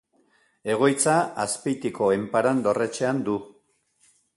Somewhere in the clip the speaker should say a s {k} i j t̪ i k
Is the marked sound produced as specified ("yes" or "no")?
no